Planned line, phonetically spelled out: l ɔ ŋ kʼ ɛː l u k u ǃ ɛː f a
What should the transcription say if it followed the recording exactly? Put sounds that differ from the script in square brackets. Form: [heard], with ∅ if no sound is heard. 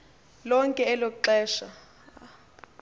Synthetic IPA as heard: l ɔ ŋ kʼ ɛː l [o] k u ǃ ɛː [ʃ] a